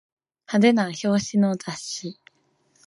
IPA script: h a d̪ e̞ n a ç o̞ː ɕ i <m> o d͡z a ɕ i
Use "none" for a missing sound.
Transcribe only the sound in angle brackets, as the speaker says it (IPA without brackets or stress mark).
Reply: n